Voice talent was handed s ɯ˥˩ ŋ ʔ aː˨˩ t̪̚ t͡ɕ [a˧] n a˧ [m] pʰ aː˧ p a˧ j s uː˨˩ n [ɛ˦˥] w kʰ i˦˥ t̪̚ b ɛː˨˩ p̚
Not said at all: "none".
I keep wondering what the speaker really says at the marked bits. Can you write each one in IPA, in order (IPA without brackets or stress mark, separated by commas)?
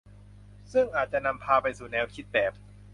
a˨˩, m, ɛː˦˥